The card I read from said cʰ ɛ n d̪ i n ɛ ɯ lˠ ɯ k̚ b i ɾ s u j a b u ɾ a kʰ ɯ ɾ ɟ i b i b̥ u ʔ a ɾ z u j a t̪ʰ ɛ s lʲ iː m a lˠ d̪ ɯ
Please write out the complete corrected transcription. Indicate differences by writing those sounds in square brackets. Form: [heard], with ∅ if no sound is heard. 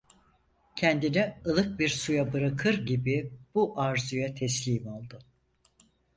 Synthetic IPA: cʰ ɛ n d̪ i n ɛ ɯ lˠ ɯ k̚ b i ɾ s u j a b [ɯ] ɾ a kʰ ɯ ɾ ɟ i b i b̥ u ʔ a ɾ z u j a t̪ʰ ɛ s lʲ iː m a lˠ d̪ ɯ

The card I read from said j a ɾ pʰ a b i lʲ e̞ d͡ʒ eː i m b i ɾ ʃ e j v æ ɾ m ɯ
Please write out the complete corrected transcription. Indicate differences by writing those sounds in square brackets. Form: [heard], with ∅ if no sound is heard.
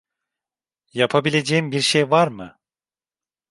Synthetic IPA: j a [∅] pʰ a b i lʲ e̞ d͡ʒ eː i m b i ɾ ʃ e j v [a] ɾ m ɯ

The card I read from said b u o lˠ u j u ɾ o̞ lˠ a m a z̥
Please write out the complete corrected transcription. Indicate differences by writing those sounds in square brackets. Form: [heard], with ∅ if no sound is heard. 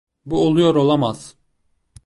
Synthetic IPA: b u o lˠ u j [o] ɾ o̞ lˠ a m a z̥

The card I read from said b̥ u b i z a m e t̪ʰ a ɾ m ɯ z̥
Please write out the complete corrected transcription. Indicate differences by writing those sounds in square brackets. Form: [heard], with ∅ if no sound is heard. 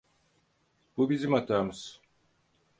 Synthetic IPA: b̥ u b i z [i] m [a] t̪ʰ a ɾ m ɯ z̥

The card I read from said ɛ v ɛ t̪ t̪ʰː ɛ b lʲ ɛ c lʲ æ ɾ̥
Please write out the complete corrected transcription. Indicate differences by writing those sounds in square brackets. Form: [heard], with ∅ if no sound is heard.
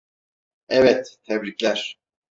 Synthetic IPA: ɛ v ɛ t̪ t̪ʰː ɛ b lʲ [i] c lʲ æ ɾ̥

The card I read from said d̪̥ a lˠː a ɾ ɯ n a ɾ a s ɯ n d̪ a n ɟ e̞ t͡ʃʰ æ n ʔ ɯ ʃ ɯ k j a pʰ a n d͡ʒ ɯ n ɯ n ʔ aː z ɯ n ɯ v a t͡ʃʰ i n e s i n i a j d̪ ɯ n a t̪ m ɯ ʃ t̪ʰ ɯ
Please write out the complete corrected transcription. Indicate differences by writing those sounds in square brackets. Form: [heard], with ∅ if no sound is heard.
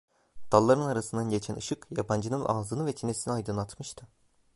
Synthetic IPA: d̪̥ a lˠː a ɾ ɯ n a ɾ a s ɯ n d̪ a n ɟ e̞ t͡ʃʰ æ n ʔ ɯ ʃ ɯ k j a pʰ a n d͡ʒ ɯ n ɯ n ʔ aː z ɯ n ɯ v [ɛ] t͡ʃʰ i n e s i n i a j d̪ ɯ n a t̪ m ɯ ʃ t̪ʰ ɯ

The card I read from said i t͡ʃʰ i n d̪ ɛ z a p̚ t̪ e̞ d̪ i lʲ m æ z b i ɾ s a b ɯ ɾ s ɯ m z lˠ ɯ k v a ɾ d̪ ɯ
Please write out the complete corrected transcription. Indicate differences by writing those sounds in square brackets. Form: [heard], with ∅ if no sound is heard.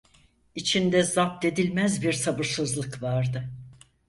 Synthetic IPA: i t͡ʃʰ i n d̪ ɛ z a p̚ t̪ e̞ d̪ i lʲ m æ z b i ɾ s a b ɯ ɾ s ɯ [∅] z lˠ ɯ k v a ɾ d̪ ɯ

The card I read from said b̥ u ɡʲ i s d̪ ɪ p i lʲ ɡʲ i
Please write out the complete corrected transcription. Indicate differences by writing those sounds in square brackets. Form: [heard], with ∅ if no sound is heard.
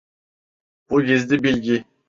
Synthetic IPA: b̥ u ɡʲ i [z] d̪ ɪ [b] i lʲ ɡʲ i

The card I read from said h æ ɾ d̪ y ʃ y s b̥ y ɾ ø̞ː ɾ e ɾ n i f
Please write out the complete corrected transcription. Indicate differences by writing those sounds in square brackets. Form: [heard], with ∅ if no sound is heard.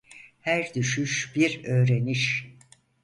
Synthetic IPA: h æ ɾ d̪ y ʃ y [ʃ] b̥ [i] ɾ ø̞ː ɾ e [∅] n i [ʃ]

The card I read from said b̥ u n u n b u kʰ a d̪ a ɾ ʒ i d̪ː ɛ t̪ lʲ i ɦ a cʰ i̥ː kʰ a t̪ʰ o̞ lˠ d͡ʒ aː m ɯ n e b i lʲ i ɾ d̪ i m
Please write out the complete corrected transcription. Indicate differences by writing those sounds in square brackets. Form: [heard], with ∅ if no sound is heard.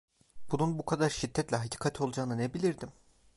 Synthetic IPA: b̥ u n u n b u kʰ a d̪ a ɾ [ʃ] i d̪ː ɛ t̪ lʲ [ɛ] ɦ a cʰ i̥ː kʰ a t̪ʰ o̞ lˠ d͡ʒ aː [n] ɯ n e b i lʲ i ɾ d̪ i m

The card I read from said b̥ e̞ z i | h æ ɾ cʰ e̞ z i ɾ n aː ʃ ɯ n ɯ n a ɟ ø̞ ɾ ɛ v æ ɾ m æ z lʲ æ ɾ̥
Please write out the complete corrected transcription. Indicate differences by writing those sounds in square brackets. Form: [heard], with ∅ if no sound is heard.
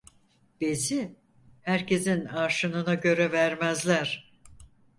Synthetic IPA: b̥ e̞ z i | h æ ɾ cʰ e̞ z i [∅] n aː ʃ ɯ n ɯ n a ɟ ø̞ ɾ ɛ v æ ɾ m æ z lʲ æ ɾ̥

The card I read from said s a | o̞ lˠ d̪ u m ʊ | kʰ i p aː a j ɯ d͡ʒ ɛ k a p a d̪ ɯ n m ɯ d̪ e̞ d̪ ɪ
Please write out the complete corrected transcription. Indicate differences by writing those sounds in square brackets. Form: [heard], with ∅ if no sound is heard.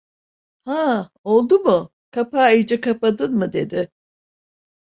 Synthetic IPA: [h] a | o̞ lˠ d̪ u m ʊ | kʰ [a] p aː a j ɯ d͡ʒ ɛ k a p a d̪ ɯ n m ɯ d̪ e̞ d̪ ɪ

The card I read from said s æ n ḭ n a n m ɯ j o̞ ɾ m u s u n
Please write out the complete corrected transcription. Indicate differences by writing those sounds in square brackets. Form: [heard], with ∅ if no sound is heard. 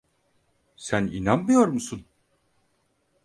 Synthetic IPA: s æ n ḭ n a n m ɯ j o̞ ɾ m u s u n

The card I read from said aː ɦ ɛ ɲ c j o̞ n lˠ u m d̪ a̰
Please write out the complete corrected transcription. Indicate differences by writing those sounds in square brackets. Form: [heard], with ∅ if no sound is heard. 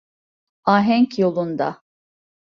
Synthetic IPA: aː ɦ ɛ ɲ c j o̞ [∅] lˠ u [n] d̪ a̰

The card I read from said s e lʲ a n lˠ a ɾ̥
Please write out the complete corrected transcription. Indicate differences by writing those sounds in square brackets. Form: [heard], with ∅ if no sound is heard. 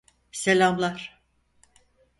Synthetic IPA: s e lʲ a [m] lˠ a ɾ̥

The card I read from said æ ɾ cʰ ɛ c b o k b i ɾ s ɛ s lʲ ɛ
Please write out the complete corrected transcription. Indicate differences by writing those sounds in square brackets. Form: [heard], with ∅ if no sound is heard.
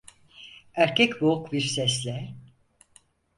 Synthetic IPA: æ ɾ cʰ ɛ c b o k b i ɾ s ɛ s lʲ ɛ

